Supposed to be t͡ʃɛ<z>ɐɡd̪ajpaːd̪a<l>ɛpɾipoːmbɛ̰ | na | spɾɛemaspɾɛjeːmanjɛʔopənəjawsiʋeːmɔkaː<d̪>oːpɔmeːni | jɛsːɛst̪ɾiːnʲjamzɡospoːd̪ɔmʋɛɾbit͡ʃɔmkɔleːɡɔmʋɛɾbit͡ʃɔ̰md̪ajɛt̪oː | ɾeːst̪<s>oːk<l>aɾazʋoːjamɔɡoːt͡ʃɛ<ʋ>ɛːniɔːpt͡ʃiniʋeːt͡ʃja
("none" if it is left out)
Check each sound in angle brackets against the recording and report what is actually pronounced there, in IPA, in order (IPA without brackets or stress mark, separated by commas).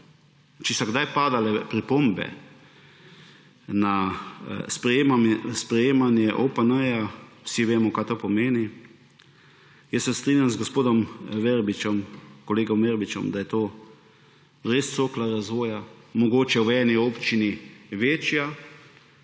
s, l, t̪, s, l, w